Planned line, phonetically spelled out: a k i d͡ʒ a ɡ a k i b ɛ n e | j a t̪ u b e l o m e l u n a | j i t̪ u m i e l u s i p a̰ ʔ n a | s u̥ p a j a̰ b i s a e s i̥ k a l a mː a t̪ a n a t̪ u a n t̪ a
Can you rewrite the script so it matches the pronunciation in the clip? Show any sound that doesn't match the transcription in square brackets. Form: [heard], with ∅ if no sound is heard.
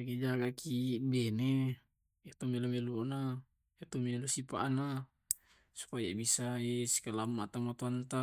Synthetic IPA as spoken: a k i d͡ʒ a ɡ a k i b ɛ n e | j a t̪ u [m] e l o m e l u n a | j [a] t̪ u m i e l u s i p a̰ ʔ n a | s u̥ p a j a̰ b i s a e s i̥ k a l a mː a t̪ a [m] a t̪ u a n t̪ a